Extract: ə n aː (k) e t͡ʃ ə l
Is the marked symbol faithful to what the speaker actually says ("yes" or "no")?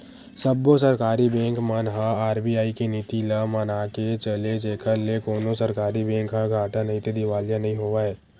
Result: yes